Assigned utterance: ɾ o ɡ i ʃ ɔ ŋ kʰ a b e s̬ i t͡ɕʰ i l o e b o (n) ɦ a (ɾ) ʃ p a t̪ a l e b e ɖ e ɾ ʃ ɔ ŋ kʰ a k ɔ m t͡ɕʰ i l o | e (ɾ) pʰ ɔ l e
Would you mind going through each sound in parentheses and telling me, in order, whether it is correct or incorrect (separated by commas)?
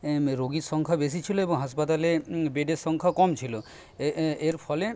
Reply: incorrect, incorrect, correct